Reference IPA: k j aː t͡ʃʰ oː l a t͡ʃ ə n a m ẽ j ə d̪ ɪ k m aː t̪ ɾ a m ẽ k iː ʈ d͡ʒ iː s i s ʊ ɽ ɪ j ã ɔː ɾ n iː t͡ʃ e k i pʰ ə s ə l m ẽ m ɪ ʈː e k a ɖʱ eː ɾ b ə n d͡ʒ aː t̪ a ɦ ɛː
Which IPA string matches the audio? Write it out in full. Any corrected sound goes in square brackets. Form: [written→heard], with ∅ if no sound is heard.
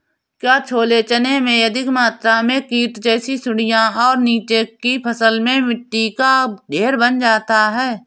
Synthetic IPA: k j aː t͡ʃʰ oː l [a→e] t͡ʃ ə n [a→e] m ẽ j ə d̪ ɪ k m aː t̪ ɾ a m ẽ k iː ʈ d͡ʒ [iː→ɛː] s i s ʊ ɽ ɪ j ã ɔː ɾ n iː t͡ʃ e k i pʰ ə s ə l m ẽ m ɪ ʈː [e→i] k a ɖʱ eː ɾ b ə n d͡ʒ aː t̪ a ɦ ɛː

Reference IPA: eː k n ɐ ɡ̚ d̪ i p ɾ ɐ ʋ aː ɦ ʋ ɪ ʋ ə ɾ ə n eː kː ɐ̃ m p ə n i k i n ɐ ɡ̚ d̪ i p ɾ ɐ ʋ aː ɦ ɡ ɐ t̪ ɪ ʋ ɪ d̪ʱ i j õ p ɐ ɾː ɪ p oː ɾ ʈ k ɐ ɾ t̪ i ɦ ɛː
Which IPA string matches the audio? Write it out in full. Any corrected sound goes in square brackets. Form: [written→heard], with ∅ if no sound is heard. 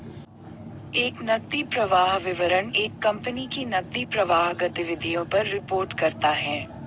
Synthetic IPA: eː k n ɐ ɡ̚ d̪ i p ɾ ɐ ʋ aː ɦ ʋ ɪ ʋ ə ɾ ə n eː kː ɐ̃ m p ə n i k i n ɐ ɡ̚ d̪ i p ɾ ɐ ʋ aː ɦ ɡ ɐ t̪ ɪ ʋ ɪ d̪ʱ i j õ p ɐ ɾː ɪ p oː ɾ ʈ k ɐ ɾ t̪ [i→a] ɦ ɛː

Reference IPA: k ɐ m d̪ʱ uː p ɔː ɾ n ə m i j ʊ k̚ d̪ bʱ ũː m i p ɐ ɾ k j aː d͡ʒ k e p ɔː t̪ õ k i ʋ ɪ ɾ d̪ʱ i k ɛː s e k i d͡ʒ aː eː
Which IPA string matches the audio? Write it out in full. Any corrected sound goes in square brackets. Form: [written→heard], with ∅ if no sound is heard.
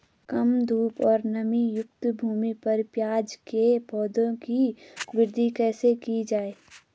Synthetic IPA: k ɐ m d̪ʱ uː p ɔː ɾ n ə m i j ʊ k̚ [d̪→t̪] bʱ [ũː→uː] m i p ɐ ɾ [k→p] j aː d͡ʒ k e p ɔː [t̪→d̪] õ k i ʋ ɪ ɾ d̪ʱ i k ɛː s e k i d͡ʒ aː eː

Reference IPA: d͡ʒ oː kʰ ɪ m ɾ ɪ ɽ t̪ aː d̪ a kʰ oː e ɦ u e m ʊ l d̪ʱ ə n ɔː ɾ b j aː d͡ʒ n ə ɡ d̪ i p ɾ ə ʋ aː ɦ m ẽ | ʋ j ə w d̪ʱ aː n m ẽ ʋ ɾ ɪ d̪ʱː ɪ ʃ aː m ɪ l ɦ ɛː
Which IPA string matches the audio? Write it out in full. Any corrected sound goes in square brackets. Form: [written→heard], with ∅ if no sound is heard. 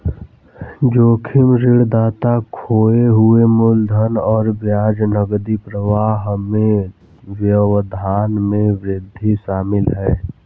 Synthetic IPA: d͡ʒ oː kʰ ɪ m ɾ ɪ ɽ [t̪→d̪] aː [d̪→t̪] a kʰ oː e ɦ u e m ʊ l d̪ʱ ə n ɔː ɾ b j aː d͡ʒ n ə ɡ d̪ i p ɾ ə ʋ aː ɦ m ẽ | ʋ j ə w d̪ʱ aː n m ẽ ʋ ɾ ɪ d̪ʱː [ɪ→i] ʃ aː m ɪ l ɦ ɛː

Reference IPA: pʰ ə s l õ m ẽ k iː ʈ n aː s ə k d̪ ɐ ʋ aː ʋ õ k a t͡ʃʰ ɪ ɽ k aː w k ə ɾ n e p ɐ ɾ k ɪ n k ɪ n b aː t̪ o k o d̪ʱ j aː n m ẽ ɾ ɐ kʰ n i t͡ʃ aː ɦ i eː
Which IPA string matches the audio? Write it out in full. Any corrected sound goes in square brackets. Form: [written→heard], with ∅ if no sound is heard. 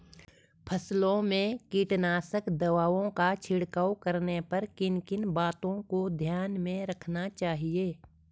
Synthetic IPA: pʰ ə s l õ m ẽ k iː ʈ n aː s ə k d̪ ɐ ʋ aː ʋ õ k a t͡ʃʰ ɪ ɽ k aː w k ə ɾ n e p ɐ ɾ k ɪ n k ɪ n b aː t̪ [o→õ] k o d̪ʱ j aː n m ẽ ɾ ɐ kʰ n [i→a] t͡ʃ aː ɦ i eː

